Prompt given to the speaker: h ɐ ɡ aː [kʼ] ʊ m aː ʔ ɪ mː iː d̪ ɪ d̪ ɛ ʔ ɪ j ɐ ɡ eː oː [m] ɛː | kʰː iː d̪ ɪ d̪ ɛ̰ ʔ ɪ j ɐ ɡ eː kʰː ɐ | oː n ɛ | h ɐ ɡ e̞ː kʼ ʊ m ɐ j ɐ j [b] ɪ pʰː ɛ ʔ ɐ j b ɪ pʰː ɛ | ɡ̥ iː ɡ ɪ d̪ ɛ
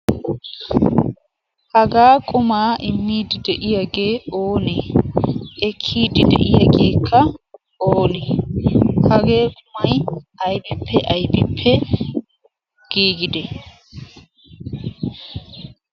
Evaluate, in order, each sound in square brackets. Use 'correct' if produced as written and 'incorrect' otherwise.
correct, incorrect, correct

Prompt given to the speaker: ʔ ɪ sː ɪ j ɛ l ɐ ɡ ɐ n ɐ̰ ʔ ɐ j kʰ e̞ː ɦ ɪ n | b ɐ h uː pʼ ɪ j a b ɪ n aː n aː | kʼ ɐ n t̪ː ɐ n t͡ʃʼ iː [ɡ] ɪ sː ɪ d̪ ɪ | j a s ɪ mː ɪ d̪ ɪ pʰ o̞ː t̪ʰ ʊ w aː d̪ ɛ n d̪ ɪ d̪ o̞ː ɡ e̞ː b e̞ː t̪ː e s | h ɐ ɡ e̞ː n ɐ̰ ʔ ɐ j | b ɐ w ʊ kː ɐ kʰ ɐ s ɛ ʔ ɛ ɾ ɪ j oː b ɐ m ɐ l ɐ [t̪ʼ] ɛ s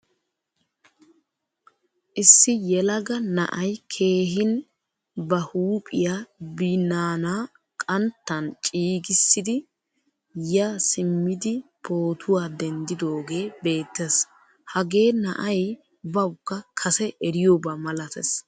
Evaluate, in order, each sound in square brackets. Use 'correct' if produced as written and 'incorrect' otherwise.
correct, incorrect

